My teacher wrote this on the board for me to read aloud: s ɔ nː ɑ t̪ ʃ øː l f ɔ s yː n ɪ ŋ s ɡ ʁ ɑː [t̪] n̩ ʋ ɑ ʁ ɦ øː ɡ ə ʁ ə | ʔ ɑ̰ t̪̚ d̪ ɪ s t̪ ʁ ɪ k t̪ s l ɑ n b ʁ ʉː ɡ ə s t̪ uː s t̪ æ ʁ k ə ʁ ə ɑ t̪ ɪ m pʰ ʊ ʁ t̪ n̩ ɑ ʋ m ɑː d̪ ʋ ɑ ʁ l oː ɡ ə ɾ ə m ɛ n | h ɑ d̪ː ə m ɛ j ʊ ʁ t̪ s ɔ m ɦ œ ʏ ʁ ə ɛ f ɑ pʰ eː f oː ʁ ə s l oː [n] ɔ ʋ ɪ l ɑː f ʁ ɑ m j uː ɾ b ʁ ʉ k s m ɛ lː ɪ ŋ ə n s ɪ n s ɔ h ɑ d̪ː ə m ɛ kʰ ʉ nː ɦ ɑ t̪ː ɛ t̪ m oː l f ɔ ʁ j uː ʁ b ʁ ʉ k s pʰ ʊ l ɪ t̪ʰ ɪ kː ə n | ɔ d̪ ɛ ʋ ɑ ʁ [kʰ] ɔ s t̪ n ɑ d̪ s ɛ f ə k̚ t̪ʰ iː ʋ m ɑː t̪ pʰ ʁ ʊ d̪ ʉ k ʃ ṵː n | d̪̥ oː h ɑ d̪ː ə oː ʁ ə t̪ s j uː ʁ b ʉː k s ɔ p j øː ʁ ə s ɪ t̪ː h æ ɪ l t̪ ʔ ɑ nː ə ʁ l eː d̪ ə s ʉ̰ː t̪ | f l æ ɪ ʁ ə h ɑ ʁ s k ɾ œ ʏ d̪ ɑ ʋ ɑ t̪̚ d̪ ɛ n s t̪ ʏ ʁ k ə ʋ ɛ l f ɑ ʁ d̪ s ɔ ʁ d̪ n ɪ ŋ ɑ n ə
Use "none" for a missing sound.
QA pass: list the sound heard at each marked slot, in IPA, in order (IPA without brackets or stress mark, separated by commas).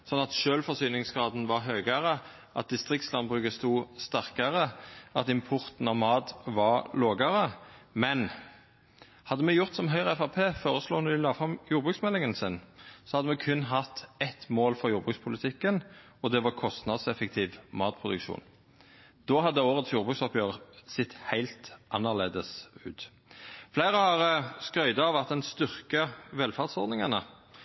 d̪, n, kʰ